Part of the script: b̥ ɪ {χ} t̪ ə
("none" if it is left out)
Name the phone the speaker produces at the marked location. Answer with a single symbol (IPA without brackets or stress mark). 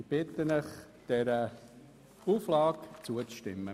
none